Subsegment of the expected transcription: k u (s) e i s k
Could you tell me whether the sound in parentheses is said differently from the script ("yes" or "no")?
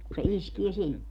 no